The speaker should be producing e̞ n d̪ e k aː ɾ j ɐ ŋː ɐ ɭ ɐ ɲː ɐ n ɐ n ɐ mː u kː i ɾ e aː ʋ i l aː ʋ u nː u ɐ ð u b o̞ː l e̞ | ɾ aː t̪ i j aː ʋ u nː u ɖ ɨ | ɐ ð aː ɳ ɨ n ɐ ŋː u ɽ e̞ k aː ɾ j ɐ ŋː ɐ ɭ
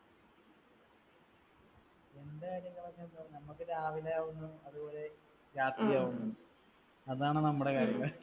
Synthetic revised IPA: e̞ n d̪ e k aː ɾ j ɐ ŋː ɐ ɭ ɐ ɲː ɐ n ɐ n ɐ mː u kː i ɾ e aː ʋ i l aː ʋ u nː u ɐ ð u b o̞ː l e̞ | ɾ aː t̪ i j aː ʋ u nː u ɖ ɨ | ɐ ð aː ɳ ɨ n ɐ mː u ɽ e̞ k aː ɾ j ɐ ŋː ɐ ɭ